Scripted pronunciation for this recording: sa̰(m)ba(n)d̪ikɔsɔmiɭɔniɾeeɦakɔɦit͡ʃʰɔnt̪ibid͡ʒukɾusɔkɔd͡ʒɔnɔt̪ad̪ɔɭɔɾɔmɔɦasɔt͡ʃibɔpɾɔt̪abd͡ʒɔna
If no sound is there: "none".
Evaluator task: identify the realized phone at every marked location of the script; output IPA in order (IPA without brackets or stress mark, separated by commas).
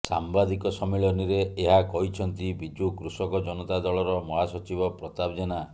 m, none